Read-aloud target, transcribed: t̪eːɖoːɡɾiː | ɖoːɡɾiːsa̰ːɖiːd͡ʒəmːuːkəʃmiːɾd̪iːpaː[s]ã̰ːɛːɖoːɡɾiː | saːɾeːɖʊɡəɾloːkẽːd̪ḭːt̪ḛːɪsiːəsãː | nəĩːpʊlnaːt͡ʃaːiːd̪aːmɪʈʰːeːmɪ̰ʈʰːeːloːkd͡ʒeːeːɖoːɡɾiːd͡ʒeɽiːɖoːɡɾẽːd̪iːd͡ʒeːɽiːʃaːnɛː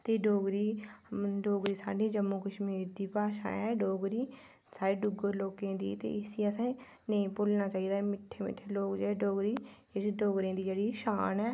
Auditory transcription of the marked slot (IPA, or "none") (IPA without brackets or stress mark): ʃ